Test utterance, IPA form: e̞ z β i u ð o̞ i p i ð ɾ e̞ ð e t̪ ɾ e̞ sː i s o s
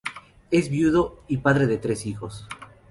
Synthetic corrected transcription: e̞ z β j u ð o̞ i p a ð ɾ e̞ ð e t̪ ɾ e̞ s i x o s